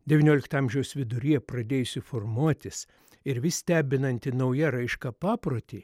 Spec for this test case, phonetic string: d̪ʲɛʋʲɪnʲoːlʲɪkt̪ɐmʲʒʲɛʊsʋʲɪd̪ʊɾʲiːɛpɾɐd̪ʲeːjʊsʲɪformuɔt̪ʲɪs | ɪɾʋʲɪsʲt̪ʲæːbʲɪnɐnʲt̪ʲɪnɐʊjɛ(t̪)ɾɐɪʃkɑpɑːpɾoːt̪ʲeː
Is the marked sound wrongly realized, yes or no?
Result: yes